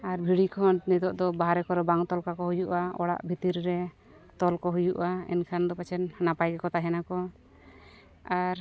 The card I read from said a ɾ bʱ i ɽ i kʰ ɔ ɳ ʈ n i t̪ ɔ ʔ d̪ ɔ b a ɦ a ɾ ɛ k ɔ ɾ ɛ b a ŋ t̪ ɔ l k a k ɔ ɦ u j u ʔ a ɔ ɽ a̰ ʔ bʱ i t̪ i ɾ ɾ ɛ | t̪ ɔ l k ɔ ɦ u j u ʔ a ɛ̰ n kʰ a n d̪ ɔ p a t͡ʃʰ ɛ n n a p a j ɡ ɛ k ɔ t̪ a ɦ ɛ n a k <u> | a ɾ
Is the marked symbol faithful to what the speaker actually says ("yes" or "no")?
no